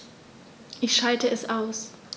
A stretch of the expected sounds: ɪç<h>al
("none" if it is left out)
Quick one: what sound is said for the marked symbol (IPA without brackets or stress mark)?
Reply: ʃ